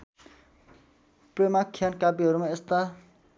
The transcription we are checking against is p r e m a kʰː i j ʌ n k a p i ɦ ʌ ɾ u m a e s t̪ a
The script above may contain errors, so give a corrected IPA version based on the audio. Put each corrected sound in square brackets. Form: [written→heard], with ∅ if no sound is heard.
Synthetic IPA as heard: p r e m a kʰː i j [ʌ→a] n k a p i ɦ ʌ ɾ u m a e s t̪ a